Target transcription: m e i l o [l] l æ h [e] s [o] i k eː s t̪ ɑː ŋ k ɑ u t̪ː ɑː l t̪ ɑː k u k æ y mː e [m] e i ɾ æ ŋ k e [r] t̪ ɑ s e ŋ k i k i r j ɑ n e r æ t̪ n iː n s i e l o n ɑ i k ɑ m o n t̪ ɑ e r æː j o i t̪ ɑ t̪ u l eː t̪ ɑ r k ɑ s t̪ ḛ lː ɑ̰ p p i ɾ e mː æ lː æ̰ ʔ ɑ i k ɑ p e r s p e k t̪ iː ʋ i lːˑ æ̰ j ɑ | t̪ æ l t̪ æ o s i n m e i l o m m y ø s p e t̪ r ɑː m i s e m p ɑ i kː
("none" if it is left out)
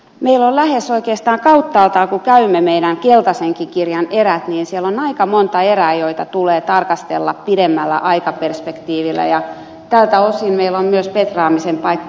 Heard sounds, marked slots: l, e, o, m, l

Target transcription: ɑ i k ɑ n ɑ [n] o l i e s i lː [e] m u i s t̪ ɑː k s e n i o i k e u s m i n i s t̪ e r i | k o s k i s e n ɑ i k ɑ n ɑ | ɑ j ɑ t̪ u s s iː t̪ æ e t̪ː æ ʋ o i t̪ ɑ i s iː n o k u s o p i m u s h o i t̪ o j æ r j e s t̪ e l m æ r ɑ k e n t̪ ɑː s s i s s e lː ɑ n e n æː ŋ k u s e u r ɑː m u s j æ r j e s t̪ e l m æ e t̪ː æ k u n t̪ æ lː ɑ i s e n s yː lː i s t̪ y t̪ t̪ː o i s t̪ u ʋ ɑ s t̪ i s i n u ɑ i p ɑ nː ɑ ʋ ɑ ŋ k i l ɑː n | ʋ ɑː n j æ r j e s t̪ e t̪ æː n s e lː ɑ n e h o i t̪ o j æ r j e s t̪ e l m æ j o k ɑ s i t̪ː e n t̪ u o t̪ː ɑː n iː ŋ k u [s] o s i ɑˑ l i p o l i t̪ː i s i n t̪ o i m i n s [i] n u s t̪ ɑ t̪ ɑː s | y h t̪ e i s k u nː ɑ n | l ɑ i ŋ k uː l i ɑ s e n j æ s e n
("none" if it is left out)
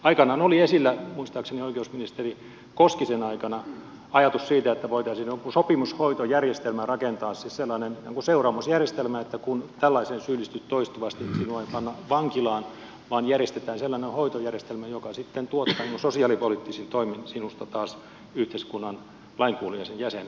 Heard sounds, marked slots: n, æ, s, i

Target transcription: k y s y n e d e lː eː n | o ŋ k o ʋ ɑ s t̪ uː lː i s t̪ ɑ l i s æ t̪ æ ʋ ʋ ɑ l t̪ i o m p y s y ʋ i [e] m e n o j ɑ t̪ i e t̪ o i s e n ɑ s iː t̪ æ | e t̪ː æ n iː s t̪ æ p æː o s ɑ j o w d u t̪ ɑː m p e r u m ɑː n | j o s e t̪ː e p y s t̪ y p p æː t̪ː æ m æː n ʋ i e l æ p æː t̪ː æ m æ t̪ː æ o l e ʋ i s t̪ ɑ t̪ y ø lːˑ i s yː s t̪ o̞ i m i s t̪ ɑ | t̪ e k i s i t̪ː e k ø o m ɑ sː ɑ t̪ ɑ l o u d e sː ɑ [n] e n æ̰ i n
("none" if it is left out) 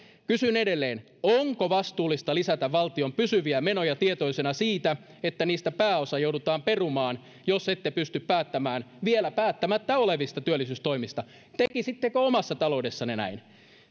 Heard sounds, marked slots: æ, n

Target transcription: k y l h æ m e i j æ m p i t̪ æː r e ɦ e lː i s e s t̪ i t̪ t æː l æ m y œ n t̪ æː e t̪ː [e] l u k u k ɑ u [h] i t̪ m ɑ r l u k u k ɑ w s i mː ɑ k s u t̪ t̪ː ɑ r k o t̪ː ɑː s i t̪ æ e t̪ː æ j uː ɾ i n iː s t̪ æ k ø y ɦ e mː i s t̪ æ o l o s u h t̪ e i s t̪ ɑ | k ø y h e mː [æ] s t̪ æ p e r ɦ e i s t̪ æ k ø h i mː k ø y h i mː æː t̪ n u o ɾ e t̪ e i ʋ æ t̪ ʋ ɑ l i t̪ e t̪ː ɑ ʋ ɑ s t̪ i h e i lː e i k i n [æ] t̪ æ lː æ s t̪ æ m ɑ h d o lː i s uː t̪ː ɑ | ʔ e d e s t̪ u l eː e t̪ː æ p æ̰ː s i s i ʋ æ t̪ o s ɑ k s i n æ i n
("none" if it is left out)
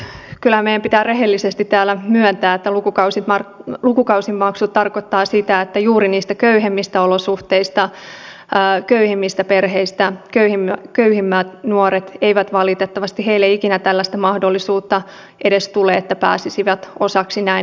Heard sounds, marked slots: æ, s, i, æ

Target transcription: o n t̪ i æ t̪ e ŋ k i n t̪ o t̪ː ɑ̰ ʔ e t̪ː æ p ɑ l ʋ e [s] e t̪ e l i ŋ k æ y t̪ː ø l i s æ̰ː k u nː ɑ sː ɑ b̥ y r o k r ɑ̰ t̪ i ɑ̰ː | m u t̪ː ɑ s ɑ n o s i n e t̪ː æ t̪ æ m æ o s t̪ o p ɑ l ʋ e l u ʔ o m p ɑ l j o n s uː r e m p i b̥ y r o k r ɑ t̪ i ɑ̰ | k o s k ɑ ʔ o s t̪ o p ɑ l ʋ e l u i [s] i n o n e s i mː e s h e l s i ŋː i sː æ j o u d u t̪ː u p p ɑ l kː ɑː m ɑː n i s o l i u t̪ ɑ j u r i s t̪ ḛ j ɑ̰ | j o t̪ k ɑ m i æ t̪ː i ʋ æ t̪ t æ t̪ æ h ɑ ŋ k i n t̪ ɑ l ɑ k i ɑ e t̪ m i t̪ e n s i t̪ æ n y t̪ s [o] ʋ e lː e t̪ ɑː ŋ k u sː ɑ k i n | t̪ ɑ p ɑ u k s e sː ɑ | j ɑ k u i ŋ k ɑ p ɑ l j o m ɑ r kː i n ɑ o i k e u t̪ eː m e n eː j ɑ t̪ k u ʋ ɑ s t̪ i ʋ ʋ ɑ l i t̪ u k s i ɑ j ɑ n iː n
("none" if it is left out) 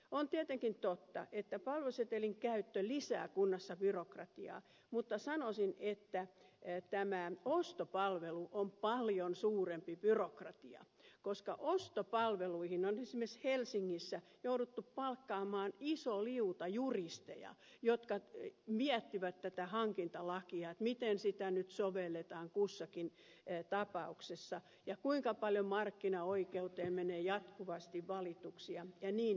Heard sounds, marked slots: s, h, o

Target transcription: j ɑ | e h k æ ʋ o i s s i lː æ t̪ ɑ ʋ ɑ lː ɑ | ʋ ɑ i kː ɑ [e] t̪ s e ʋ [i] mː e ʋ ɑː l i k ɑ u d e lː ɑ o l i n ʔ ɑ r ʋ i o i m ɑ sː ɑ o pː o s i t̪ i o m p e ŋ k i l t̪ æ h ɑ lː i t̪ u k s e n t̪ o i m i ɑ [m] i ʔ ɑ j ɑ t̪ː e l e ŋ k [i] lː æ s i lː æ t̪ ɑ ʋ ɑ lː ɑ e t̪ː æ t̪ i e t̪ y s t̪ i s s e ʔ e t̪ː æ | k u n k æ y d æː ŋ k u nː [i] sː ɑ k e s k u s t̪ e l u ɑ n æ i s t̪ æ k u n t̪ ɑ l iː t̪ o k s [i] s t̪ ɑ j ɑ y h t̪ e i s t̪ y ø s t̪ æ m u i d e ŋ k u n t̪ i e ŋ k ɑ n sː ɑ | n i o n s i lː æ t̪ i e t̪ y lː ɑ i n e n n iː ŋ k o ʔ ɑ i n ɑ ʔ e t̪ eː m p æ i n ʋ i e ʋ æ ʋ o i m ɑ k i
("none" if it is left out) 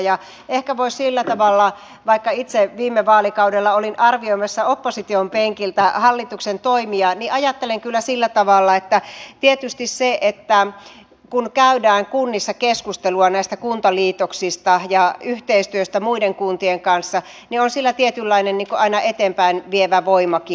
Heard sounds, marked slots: i, iː, n, y, i, i

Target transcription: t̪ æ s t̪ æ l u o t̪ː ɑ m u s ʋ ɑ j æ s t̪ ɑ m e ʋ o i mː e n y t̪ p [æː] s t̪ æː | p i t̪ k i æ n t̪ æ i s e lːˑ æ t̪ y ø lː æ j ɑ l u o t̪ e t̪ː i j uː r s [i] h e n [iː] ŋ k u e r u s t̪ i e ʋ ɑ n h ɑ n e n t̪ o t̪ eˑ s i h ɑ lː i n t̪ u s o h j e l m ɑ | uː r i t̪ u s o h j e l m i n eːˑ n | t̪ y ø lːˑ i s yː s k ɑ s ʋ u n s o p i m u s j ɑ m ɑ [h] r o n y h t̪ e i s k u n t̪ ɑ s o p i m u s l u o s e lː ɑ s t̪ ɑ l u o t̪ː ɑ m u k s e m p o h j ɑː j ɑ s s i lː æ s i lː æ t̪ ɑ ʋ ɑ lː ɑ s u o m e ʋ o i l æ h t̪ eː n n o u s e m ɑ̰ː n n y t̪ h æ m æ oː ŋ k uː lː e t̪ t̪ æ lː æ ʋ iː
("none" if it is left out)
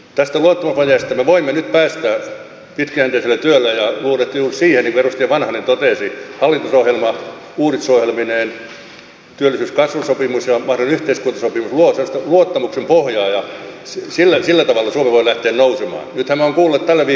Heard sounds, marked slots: æː, iː, i, h

